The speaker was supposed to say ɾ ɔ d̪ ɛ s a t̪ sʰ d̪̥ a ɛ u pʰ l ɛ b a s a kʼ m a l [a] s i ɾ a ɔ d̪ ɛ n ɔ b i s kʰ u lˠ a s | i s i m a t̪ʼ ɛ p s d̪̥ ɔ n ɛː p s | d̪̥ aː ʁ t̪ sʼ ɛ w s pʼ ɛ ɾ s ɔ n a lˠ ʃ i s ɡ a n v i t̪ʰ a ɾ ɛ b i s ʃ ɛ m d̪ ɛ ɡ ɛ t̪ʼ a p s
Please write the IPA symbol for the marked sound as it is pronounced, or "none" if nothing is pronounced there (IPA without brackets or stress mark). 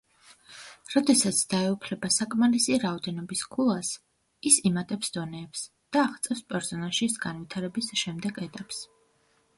i